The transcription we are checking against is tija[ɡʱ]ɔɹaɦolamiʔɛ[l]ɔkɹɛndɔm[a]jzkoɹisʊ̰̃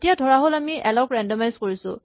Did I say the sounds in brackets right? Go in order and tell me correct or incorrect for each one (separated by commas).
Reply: incorrect, correct, correct